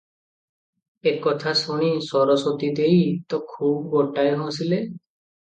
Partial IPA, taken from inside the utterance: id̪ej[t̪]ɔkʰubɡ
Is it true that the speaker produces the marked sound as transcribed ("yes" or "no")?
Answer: yes